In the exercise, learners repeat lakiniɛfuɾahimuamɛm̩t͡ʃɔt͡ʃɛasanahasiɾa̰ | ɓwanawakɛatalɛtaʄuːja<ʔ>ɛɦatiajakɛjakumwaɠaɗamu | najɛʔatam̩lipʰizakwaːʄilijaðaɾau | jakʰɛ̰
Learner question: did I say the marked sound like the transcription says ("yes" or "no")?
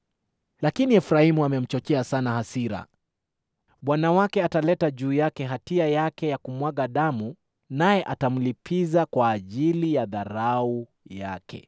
no